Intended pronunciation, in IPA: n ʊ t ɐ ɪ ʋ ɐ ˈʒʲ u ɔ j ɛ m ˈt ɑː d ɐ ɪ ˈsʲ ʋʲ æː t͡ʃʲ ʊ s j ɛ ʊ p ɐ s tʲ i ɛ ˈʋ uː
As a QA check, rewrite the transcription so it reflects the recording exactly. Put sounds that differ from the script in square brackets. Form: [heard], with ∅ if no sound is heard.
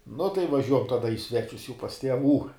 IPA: n ʊ t ɐ ɪ ʋ ɐ ˈʒʲ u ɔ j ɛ m ˈt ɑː d ɐ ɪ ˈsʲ ʋʲ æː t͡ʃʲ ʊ s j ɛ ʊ p ɐ s tʲ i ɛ ˈʋ uː